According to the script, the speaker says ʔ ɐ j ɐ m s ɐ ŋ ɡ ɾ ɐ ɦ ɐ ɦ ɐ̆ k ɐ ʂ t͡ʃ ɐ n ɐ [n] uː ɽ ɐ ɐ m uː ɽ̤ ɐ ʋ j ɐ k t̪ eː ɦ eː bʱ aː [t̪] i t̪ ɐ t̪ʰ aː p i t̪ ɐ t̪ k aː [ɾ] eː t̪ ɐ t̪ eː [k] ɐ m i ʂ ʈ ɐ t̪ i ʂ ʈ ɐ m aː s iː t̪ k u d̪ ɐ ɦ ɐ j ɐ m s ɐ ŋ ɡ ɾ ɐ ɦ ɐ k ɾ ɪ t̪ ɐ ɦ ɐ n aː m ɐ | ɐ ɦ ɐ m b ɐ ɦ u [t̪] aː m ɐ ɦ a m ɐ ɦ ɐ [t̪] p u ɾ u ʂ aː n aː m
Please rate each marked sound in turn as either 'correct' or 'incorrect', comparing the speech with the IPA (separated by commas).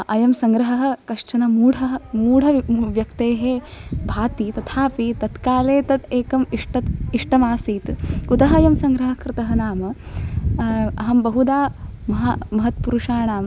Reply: incorrect, correct, incorrect, correct, incorrect, correct